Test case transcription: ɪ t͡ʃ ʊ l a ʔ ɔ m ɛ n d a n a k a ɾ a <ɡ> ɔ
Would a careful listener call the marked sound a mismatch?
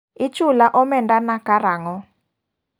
yes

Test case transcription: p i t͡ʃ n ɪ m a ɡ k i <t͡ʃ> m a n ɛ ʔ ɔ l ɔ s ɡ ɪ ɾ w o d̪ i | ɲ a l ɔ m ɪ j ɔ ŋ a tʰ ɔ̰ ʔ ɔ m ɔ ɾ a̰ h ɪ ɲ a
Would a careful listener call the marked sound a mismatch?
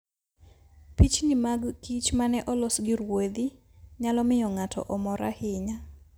no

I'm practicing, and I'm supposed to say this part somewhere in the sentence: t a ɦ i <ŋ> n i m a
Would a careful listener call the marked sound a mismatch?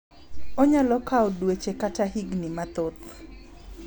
yes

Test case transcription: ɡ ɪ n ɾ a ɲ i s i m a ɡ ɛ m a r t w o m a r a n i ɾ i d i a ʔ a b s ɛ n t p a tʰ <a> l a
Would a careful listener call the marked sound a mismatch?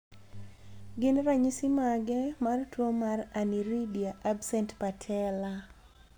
yes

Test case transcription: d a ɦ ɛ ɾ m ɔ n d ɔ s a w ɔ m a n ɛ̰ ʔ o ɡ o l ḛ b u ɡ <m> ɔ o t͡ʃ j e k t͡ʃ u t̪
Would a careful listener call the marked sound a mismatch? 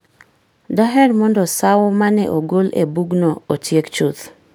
yes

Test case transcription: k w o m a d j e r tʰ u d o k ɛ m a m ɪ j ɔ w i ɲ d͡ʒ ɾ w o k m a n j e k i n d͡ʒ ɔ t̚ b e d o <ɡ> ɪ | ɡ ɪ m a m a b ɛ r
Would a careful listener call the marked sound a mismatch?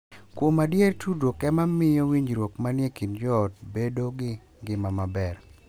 no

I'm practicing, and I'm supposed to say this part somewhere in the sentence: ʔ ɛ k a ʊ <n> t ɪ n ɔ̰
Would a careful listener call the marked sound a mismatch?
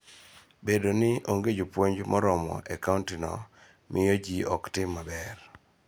no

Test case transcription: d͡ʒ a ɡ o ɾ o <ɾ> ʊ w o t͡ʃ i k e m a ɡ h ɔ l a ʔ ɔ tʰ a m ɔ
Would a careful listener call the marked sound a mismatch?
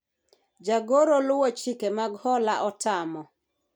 yes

